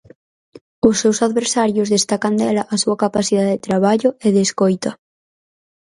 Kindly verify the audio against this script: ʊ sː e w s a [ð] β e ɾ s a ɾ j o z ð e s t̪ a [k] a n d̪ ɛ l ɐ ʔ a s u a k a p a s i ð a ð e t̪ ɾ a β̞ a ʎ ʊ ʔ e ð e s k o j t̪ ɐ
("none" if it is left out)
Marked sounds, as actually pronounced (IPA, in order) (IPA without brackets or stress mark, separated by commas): ð, k